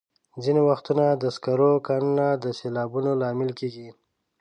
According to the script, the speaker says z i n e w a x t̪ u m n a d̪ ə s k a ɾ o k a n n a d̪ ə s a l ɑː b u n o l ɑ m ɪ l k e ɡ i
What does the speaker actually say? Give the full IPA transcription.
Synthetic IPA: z i n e w a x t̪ u n a d̪ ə s k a ɾ o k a n n a d̪ ə s e l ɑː b u n o l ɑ m ɪ l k e ɡ i